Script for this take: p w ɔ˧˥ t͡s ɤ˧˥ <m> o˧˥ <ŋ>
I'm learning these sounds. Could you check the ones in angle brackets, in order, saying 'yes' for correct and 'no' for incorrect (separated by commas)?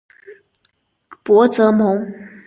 yes, yes